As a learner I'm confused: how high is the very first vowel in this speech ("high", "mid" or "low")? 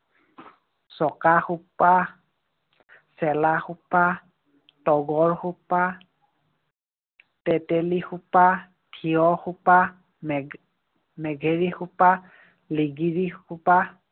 mid